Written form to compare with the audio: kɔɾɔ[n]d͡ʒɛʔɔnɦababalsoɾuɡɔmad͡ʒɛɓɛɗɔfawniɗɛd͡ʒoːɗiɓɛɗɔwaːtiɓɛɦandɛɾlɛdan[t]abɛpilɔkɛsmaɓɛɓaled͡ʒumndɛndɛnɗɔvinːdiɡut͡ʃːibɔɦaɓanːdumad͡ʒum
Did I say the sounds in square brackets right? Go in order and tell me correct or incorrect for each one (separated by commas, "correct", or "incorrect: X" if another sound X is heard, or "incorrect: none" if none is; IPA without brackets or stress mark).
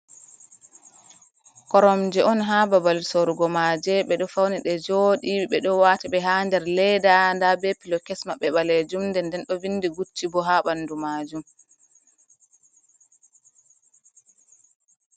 incorrect: m, incorrect: d